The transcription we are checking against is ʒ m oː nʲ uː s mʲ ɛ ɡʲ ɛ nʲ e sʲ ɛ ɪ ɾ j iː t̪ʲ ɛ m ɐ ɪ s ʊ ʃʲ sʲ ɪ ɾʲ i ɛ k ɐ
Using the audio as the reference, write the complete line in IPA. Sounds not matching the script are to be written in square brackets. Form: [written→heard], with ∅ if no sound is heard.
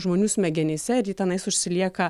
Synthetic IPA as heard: ʒ m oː nʲ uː s mʲ ɛ ɡʲ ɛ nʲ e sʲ ɛ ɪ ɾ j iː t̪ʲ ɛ [m→n] ɐ ɪ s ʊ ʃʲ sʲ ɪ [ɾʲ→lʲ] i ɛ k ɐ